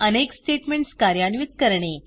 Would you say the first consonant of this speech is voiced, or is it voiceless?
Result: voiced